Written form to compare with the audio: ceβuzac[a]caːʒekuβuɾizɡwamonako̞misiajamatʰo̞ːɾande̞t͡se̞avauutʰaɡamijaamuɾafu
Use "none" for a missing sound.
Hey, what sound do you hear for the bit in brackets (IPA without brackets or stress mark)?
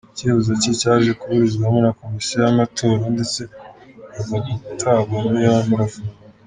i